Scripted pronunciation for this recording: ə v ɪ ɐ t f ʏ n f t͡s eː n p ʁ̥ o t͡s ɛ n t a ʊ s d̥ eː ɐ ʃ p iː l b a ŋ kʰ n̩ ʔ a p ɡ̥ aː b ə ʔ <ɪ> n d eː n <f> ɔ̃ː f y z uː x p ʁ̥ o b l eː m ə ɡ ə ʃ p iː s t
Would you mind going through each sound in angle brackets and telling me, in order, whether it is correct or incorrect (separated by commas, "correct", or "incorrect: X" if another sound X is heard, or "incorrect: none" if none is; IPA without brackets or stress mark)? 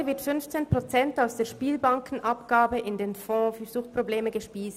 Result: correct, correct